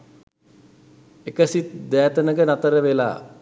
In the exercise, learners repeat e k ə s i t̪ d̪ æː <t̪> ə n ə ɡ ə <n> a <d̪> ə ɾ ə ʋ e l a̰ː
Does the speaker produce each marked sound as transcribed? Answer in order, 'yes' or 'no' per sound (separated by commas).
yes, yes, no